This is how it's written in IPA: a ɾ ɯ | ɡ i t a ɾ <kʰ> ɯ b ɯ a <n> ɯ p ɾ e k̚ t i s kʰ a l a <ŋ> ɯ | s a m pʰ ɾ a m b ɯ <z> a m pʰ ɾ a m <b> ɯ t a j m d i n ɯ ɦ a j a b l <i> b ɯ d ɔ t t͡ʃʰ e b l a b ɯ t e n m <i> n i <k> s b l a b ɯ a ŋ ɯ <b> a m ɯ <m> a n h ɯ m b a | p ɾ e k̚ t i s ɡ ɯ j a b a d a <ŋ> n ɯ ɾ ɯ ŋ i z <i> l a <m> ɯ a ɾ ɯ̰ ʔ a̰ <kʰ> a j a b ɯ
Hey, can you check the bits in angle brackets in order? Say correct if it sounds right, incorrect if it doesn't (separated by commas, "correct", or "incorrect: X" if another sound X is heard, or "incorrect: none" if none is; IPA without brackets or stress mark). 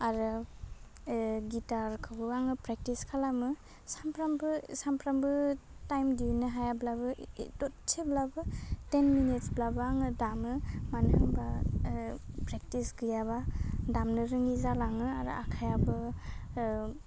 correct, incorrect: ŋ, incorrect: m, incorrect: s, correct, incorrect: a, correct, incorrect: t, incorrect: d, correct, incorrect: m, incorrect: a, incorrect: ŋ, correct